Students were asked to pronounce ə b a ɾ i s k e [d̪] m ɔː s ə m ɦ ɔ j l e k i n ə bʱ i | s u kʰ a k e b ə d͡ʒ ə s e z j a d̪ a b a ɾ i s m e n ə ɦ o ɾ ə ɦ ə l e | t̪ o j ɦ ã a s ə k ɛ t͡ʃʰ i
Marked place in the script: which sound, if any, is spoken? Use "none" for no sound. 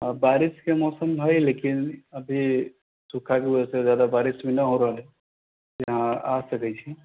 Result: none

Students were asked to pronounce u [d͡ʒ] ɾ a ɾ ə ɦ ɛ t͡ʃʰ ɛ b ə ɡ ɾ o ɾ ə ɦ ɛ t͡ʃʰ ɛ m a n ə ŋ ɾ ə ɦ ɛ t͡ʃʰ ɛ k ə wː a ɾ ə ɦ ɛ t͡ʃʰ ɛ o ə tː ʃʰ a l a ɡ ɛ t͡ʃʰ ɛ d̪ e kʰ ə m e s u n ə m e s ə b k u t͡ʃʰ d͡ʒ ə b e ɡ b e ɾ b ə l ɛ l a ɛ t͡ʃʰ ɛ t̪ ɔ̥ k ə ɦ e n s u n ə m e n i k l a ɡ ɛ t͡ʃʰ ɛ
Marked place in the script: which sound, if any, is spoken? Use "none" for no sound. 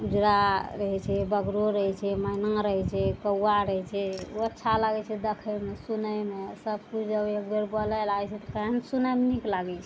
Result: d͡ʒ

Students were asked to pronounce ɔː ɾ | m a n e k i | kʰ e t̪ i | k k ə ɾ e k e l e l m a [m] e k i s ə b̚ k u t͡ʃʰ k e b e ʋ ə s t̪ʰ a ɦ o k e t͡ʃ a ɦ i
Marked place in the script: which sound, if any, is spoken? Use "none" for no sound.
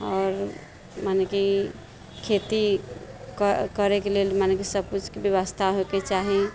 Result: n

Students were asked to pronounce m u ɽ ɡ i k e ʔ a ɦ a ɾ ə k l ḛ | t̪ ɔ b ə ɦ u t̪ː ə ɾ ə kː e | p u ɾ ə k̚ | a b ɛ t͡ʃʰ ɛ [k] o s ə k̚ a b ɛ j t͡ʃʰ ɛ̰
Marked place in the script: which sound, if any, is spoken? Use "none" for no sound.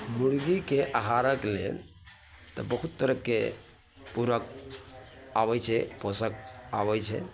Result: p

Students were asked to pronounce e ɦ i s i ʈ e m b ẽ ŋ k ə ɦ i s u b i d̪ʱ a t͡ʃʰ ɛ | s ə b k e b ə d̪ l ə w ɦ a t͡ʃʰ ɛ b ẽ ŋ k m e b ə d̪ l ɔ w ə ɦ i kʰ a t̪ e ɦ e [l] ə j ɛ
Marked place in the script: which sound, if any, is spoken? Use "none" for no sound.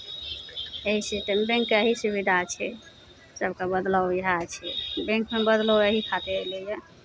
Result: l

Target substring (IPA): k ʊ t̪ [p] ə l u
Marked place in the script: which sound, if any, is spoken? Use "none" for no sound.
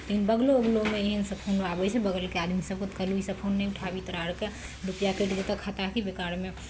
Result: k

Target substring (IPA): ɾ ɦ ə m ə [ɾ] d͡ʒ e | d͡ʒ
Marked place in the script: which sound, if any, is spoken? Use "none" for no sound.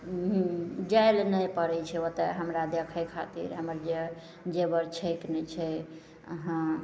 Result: ɾ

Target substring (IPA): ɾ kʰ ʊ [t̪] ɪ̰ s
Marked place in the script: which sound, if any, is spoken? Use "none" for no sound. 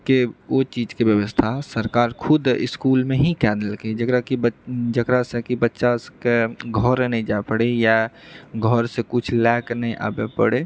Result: d̪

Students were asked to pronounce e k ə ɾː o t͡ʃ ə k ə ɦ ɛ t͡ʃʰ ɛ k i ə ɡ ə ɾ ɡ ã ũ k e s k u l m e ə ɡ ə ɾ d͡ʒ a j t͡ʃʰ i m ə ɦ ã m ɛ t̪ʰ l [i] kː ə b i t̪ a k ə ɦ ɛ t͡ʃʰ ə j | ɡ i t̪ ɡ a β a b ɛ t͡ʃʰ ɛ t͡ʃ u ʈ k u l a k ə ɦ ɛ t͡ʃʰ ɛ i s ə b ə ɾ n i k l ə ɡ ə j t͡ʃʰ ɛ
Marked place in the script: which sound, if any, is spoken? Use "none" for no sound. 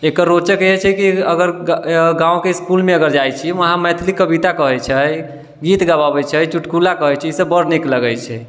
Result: i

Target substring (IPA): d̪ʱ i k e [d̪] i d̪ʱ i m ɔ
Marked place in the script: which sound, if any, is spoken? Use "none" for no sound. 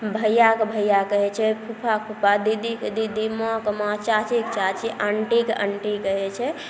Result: d̪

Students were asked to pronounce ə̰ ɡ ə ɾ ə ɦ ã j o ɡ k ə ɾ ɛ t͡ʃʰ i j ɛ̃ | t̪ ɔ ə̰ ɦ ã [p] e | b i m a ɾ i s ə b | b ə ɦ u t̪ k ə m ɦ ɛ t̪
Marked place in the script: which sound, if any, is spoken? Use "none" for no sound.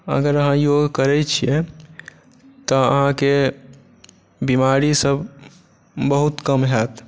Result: k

